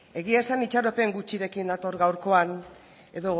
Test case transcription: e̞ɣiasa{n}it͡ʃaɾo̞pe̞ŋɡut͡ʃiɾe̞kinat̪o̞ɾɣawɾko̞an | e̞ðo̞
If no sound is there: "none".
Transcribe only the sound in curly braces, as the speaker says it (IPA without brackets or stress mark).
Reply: n